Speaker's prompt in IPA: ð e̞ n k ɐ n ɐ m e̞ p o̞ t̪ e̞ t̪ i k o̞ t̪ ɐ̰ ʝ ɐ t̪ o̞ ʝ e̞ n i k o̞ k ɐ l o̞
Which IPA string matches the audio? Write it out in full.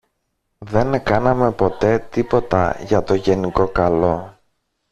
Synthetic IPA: ð e̞ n k ɐ n ɐ m e̞ p o̞ t̪ e̞ t̪ i p o̞ t̪ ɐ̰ ʝ ɐ t̪ o̞ ʝ e̞ n i k o̞ k ɐ l o̞

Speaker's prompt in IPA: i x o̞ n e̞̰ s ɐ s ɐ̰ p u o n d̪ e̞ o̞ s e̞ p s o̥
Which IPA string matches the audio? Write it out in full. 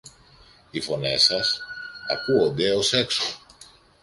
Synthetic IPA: i f o̞ n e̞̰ s ɐ s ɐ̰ k u o n d̪ e̞ o̞ s e̞ k s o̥

